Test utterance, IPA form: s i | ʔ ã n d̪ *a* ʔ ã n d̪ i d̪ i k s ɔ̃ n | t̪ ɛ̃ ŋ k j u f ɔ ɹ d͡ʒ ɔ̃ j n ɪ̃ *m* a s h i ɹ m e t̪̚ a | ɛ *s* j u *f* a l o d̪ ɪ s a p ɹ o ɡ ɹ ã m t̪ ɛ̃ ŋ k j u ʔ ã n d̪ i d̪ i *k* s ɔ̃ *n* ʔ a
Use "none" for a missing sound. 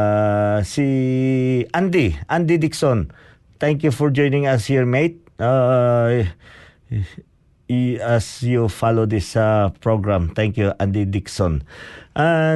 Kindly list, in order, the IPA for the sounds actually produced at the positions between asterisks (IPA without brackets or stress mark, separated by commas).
i, ŋ, s, f, k, n